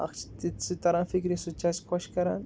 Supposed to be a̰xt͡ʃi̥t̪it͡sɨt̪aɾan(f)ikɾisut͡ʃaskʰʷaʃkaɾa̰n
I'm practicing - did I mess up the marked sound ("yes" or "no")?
no